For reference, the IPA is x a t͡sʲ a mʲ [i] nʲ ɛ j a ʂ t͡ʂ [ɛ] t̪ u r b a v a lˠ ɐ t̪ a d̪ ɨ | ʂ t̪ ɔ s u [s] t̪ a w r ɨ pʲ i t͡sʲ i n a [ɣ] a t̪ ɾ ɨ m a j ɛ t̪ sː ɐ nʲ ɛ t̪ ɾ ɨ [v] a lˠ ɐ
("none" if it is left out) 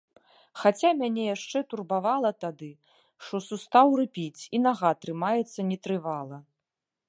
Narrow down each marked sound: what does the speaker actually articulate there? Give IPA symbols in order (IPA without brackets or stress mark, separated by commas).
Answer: a, ɛ, s, ɣ, v